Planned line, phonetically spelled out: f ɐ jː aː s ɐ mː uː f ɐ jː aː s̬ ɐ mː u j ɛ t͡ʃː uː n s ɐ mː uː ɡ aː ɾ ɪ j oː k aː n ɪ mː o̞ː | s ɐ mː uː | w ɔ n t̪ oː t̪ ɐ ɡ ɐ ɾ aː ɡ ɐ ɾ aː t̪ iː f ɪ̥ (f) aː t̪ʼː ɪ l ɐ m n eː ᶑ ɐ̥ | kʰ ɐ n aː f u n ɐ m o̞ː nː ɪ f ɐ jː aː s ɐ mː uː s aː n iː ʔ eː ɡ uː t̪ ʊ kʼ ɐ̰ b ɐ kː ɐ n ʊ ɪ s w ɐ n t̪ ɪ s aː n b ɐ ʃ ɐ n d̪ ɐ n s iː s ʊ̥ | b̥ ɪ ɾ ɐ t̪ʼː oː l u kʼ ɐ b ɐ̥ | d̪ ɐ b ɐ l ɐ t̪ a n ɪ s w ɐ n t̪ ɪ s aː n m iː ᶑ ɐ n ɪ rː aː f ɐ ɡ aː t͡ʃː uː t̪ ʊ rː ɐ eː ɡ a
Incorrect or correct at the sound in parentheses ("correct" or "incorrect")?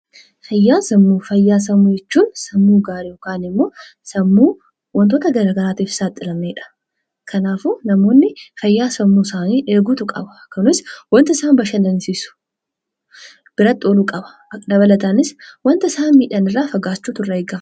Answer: incorrect